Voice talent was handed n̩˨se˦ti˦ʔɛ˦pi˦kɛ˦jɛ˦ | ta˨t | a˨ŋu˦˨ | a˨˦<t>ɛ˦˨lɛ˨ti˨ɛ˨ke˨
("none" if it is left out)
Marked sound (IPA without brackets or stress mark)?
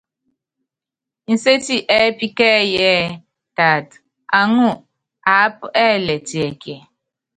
p